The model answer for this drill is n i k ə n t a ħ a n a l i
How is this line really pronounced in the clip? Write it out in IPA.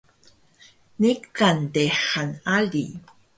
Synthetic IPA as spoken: n i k a n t e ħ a n a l i